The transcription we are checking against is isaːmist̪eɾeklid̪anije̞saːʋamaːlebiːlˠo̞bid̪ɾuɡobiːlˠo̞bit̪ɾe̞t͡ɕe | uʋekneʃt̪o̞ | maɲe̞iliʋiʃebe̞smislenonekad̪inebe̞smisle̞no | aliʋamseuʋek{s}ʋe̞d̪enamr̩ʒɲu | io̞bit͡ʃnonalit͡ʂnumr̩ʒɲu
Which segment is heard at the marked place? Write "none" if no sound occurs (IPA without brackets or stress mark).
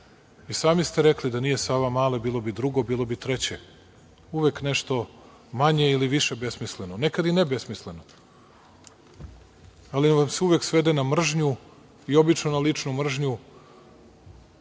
s